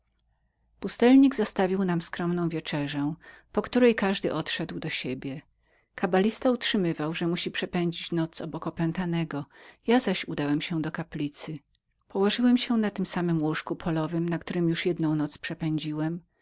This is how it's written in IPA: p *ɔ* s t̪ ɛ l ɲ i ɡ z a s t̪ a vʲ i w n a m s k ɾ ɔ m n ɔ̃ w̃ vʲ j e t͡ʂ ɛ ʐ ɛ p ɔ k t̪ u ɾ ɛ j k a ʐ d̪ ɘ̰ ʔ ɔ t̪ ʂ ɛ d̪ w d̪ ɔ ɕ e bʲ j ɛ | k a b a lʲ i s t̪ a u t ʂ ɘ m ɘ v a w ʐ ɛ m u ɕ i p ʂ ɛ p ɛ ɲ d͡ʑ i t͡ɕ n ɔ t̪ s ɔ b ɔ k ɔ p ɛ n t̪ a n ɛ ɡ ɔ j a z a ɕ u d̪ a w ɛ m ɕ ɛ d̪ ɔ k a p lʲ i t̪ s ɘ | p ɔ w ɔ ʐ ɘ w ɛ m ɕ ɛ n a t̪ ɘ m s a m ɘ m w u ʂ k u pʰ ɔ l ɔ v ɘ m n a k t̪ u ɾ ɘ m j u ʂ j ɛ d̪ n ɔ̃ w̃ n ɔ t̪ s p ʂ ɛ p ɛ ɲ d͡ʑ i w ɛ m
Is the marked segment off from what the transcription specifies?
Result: yes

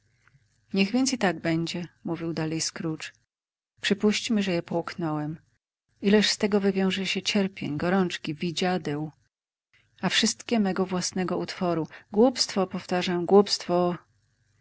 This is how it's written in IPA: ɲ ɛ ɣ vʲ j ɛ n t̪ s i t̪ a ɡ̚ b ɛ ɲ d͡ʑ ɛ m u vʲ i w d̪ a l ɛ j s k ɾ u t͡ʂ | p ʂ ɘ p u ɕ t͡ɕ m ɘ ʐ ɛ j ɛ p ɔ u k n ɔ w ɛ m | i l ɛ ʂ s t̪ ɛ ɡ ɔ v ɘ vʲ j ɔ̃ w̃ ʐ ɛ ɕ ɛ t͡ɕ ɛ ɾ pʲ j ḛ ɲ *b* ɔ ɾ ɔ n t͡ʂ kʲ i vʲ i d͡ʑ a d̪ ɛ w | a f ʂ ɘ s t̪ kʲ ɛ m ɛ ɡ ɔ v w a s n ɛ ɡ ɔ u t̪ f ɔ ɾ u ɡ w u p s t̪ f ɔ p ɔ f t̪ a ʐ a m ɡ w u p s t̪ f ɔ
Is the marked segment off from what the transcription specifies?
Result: yes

